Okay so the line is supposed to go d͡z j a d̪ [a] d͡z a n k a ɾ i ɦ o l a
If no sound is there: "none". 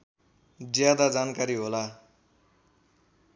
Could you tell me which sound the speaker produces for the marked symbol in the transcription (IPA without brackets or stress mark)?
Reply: a